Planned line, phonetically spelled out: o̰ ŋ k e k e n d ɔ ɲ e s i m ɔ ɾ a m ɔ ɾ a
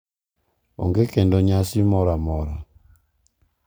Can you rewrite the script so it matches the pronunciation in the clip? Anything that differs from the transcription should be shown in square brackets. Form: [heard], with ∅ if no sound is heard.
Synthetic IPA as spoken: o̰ ŋ [ɡ] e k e n d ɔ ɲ [a] s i m ɔ ɾ a m ɔ ɾ a